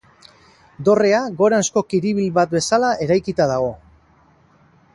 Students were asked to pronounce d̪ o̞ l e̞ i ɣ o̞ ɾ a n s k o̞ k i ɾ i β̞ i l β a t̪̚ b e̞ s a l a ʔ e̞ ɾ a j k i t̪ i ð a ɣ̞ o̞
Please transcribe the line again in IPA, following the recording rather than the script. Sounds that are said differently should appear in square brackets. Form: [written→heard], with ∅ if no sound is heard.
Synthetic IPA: d̪ o̞ [l→r] e̞ [i→a] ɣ o̞ ɾ a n s k o̞ k i ɾ i β̞ i l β a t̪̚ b e̞ s a l a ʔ e̞ ɾ a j k i t̪ [i→a] ð a ɣ̞ o̞